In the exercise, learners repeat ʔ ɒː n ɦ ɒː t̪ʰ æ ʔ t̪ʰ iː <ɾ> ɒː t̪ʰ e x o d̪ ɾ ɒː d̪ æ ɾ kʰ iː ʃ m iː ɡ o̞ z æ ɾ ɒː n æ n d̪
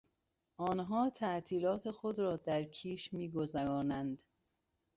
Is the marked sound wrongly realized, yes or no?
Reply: yes